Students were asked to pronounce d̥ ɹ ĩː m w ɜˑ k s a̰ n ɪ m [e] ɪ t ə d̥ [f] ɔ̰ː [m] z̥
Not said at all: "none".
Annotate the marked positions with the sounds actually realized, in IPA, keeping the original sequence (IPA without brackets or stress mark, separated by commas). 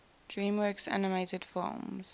e, f, m